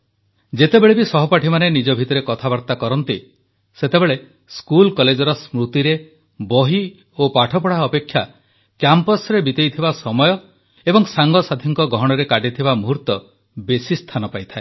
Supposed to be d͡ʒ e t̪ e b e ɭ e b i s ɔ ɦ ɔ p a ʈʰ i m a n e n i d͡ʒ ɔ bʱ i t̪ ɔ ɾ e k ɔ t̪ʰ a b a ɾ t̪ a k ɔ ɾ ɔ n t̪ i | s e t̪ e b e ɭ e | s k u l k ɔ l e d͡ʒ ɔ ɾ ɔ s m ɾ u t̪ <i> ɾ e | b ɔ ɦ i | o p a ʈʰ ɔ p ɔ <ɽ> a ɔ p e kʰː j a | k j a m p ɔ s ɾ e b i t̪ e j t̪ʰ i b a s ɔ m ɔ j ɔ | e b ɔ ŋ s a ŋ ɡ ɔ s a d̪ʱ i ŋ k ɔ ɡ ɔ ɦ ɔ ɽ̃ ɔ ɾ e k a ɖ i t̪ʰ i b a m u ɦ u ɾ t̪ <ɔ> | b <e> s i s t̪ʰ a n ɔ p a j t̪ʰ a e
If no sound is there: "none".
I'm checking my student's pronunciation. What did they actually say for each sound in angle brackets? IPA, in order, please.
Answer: i, ɽ, ɔ, e

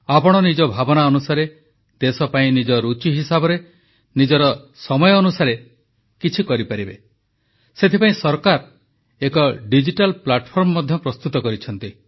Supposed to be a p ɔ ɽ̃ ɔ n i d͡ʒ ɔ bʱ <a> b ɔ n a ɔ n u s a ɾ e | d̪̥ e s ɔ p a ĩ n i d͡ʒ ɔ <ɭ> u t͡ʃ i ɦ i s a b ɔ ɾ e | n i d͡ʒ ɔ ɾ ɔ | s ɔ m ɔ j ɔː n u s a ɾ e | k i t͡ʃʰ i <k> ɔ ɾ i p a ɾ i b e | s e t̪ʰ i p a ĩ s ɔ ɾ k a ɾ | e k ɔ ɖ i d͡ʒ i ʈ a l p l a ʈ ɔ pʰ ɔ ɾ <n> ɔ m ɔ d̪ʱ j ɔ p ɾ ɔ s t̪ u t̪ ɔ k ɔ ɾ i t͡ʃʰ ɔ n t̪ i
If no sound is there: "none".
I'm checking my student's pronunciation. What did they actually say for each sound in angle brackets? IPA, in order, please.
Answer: a, ɾ, k, m

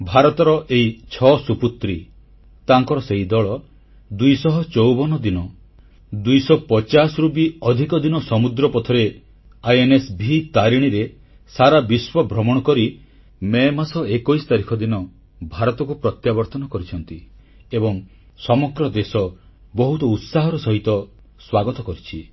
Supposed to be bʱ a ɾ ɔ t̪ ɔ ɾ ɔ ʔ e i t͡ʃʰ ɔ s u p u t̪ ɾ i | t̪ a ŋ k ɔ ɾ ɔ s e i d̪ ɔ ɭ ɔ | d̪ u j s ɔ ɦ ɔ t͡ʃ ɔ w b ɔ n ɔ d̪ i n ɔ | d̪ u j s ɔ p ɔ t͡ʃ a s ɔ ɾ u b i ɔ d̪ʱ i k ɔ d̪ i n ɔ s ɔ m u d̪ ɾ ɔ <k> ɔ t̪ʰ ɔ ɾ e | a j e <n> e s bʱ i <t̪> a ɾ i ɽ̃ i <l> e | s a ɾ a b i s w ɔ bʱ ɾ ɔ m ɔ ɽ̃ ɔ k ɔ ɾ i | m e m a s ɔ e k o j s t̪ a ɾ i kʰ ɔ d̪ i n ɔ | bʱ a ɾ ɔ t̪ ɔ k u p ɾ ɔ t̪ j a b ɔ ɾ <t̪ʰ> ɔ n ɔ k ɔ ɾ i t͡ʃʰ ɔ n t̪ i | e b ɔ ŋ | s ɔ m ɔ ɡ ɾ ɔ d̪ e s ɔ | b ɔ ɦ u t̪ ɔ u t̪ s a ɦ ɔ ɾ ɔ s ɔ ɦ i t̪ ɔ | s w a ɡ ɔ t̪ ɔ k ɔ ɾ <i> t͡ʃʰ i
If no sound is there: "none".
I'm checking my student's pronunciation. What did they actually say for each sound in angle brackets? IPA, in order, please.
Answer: p, n, t̪, ɾ, t̪, i

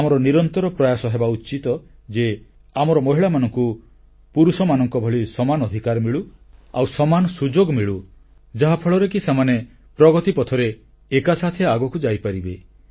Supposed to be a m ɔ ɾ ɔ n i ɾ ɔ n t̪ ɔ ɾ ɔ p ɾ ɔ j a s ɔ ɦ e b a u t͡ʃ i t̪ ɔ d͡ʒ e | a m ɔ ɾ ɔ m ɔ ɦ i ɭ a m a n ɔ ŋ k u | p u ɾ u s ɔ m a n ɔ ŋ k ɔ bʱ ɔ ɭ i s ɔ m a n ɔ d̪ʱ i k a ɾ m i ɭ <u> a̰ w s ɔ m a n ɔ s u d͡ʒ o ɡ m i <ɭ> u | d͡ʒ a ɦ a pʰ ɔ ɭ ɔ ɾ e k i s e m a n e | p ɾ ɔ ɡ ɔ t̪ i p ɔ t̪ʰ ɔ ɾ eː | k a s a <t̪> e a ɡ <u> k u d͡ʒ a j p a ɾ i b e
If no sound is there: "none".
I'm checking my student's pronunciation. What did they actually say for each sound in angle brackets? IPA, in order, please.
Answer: u, ɭ, t̪ʰ, ɔ

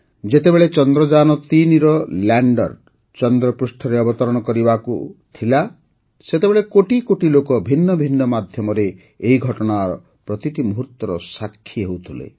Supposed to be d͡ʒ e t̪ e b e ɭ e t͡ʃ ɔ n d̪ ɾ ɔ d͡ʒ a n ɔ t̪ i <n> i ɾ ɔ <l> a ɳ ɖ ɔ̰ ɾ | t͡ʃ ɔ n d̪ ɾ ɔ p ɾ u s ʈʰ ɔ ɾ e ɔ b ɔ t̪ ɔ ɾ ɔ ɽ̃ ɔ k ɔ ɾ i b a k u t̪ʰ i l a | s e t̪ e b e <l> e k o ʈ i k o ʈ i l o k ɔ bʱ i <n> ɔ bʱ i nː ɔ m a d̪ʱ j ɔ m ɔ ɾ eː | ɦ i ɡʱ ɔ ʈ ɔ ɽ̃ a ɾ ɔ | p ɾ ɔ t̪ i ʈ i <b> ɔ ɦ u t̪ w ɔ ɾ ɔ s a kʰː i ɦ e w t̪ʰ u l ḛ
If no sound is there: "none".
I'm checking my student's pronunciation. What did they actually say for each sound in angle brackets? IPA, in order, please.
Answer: n, l, ɭ, nː, m

